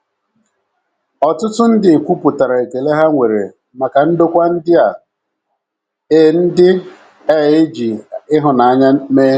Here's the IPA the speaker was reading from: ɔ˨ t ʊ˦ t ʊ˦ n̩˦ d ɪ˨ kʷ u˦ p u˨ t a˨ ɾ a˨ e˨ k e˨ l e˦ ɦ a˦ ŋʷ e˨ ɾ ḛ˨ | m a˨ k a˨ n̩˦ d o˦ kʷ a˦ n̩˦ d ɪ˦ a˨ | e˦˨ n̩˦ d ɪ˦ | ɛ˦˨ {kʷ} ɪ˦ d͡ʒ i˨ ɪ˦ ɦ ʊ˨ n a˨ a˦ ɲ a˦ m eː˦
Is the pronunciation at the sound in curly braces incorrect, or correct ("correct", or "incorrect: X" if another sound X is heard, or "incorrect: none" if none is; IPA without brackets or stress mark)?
incorrect: none